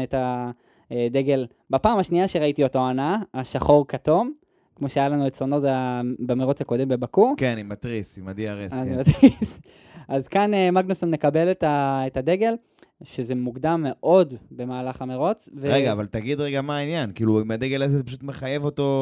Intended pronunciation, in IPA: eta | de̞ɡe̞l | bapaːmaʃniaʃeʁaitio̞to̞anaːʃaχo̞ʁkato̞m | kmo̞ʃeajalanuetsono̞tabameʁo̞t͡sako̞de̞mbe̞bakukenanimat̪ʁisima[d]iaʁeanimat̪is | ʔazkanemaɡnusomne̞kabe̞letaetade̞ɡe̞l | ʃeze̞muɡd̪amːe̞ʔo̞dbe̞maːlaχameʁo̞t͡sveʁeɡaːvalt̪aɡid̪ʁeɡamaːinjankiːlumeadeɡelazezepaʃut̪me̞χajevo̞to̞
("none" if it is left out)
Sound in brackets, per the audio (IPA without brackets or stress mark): d